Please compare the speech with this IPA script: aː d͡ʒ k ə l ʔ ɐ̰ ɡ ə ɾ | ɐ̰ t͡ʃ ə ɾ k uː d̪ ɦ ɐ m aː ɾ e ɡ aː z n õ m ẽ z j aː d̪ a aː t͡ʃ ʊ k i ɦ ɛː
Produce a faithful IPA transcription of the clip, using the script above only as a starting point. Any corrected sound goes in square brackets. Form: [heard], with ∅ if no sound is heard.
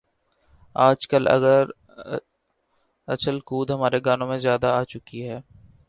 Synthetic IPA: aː d͡ʒ k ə l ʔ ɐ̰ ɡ ə ɾ | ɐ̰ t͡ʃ ə [l] k uː d̪ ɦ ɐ m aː ɾ e ɡ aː [∅] n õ m ẽ z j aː d̪ a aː t͡ʃ ʊ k i ɦ ɛː